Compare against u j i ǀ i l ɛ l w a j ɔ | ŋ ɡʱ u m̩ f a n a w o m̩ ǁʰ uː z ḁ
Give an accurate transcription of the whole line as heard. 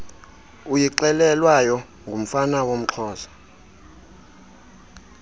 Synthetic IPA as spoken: u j i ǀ ɛ l ɛ l w a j ɔ | ŋ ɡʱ u m̩ f a n a w o m̩ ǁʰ ɔː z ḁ